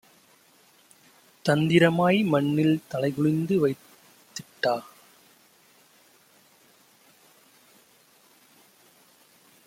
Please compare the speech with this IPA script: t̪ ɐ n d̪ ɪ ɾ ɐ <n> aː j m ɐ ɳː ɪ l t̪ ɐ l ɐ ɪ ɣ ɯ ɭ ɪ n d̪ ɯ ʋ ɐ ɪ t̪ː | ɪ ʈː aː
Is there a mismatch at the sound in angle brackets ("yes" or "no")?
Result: yes